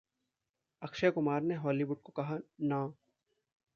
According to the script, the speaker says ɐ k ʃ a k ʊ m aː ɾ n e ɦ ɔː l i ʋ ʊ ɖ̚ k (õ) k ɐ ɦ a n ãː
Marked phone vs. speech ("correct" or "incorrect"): incorrect